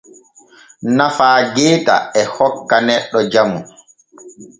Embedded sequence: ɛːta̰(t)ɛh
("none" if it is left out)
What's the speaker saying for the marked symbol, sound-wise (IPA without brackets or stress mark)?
none